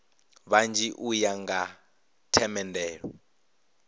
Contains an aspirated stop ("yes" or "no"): yes